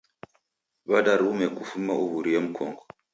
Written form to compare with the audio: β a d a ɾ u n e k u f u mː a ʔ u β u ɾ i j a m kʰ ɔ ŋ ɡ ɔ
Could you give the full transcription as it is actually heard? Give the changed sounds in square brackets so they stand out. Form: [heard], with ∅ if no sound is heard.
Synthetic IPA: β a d a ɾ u [m] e k u f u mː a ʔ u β u ɾ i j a m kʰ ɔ ŋ ɡ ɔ